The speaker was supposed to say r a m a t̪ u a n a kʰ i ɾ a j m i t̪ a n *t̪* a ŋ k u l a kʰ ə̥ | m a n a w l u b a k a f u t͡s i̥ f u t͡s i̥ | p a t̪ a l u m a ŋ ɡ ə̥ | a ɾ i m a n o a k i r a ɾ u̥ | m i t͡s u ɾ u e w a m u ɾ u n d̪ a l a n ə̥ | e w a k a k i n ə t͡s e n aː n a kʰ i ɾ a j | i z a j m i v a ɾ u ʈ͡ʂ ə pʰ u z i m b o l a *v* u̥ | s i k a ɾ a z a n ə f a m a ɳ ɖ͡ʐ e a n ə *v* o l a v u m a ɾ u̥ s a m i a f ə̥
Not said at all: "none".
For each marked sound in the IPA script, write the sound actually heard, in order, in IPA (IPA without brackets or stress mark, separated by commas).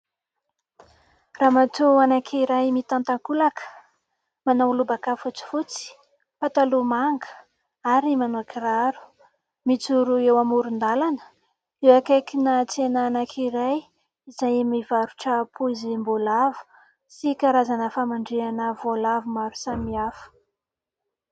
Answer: t̪, v, v